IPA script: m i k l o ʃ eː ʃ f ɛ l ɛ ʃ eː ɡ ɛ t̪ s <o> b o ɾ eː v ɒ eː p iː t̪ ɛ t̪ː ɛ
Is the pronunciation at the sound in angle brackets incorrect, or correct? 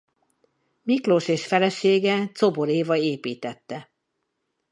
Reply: correct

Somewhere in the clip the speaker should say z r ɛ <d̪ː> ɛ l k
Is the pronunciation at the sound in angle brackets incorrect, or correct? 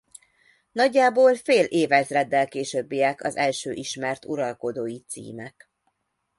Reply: correct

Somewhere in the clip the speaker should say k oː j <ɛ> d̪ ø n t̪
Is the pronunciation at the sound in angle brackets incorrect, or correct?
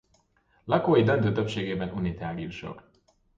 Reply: incorrect: i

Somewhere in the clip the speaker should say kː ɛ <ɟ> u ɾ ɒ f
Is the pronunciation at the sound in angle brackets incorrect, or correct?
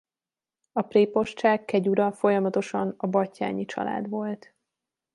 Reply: correct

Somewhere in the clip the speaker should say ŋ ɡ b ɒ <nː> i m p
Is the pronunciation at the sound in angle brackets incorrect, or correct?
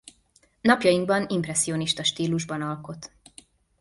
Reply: incorrect: n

